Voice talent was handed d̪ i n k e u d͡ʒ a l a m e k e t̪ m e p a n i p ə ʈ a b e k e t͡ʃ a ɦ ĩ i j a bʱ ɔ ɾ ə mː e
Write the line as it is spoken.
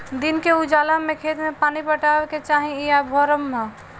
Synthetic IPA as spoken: d̪ i n k e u d͡ʒ a l a m e kʰ e t̪ m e p a n i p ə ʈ a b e k e t͡ʃ a ɦ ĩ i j a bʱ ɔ ɾ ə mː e